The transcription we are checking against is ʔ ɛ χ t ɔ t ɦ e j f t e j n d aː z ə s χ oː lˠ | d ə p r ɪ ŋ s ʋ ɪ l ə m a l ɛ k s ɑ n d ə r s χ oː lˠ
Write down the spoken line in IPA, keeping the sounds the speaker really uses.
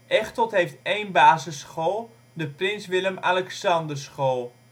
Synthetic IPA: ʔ ɛ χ t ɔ t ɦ e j f t e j n b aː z ə s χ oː lˠ | d ə p r ɪ n s ʋ ɪ l ə m a l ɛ k s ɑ n d ə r s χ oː lˠ